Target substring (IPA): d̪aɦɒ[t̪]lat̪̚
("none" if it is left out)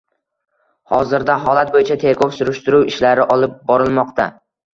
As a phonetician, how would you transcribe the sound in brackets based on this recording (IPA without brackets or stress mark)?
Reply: none